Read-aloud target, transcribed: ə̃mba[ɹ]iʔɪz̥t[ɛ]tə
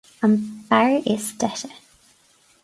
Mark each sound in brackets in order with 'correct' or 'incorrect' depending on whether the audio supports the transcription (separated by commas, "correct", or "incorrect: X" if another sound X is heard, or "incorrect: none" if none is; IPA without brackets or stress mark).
correct, correct